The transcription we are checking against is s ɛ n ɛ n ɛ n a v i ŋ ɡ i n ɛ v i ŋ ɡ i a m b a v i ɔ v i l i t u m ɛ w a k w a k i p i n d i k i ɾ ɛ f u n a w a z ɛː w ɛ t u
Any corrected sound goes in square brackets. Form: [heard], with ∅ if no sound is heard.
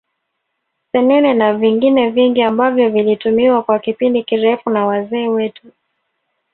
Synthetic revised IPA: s ɛ n ɛ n ɛ n a v i ŋ ɡ i n ɛ v i ŋ ɡ i a m b a v [j] ɔ v i l i t u m [i] w a k w a k i p i n d i k i ɾ ɛ f u n a w a z ɛː w ɛ t u

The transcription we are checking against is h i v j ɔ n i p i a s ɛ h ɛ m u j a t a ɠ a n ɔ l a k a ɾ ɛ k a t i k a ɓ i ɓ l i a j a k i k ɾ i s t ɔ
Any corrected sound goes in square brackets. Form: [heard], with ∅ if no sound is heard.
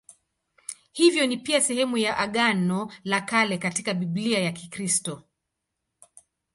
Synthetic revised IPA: h i v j ɔ n i p i a s ɛ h ɛ m u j a [ʔ] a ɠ a n ɔ l a k a [l] ɛ k a t i k a ɓ i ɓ l i a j a k i k ɾ i s t ɔ

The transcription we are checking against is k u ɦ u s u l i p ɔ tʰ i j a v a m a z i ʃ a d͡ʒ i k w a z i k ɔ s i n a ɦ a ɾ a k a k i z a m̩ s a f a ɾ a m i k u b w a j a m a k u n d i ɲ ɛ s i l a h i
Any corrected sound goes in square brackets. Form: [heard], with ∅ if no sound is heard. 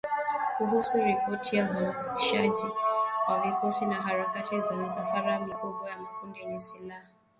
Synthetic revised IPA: k u ɦ u s u [ɾ] i p ɔ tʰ i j a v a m a [s] i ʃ a d͡ʒ i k w a [v] i k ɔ s i n a ɦ a ɾ a k a [t] i z a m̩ s a f a ɾ a m i k u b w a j a m a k u n d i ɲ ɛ s i l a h [a]

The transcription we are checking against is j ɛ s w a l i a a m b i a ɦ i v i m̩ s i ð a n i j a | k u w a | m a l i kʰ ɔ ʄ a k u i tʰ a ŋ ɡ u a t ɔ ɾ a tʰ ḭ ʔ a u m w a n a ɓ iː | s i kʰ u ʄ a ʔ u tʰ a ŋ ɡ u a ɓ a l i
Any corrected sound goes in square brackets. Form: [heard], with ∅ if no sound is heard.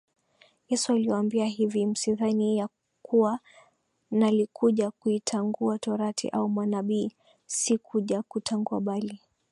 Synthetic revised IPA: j ɛ s [u] a l i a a m b i a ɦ i v i m̩ s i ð a n i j a | k u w a | [n] a l i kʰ [u] ʄ a k u i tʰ a ŋ ɡ u a t ɔ ɾ a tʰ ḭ ʔ a u m w a n a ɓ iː | s i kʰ u ʄ a [k] u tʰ a ŋ ɡ u a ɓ a l i

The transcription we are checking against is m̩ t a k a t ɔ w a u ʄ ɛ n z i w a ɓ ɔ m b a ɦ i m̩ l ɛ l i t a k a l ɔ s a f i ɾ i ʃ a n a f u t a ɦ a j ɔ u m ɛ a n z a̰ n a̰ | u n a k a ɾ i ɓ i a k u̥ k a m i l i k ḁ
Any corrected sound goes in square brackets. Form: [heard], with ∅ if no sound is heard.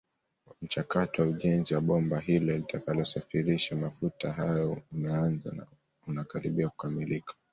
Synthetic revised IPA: m̩ [t͡ʃ] a k a t ɔ w a u ʄ ɛ n z i w a ɓ ɔ m b a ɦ i [∅] l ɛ l i t a k a l ɔ s a f i ɾ i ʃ a [m] a f u t a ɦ a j ɔ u m ɛ a n z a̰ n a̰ | u n a k a ɾ i ɓ i a k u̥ k a m i l i k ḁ

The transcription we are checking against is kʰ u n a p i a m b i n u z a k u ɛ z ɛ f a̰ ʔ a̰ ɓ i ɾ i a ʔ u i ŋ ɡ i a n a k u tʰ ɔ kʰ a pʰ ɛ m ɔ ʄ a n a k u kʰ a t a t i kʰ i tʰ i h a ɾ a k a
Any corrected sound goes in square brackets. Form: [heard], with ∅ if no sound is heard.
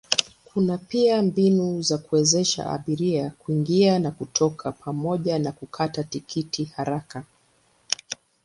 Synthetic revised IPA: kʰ u n a p i a m b i n u z a k u ɛ z ɛ [ʃ] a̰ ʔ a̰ ɓ i ɾ i a [k] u i ŋ ɡ i a n a k u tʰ ɔ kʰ a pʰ [a] m ɔ ʄ a n a k u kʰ a t a t i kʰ i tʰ i h a ɾ a k a

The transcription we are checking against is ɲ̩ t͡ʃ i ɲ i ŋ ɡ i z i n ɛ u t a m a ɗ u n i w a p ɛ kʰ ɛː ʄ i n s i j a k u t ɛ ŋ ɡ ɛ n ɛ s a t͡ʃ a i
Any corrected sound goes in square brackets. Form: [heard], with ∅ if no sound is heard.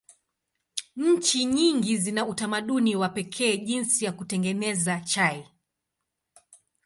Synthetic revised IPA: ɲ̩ t͡ʃ i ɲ i ŋ ɡ i z i n [a] u t a m a ɗ u n i w a p ɛ kʰ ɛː ʄ i n s i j a k u t ɛ ŋ ɡ ɛ n ɛ [z] a t͡ʃ a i

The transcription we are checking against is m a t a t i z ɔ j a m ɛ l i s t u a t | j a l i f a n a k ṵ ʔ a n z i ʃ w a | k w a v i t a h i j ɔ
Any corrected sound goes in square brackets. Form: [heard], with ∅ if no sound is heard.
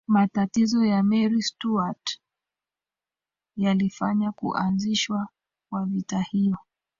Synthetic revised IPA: m a t a t i z ɔ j a m ɛ [ɾ] i s t u a t | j a l i f a [ɲ] a k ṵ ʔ a n z i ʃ w a | k w a v i t a h i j ɔ

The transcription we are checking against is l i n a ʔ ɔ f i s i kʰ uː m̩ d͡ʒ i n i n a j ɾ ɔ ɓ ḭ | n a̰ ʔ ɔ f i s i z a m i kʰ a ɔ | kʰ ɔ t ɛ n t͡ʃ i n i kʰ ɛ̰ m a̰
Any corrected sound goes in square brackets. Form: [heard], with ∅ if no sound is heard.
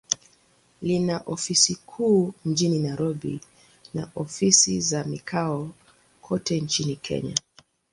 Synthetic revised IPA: l i n a ʔ ɔ f i s i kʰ uː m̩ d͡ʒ i n i n a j ɾ ɔ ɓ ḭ | n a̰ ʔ ɔ f i s i z a m i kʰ a ɔ | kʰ ɔ t ɛ n t͡ʃ i n i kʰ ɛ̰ [ɲ] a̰

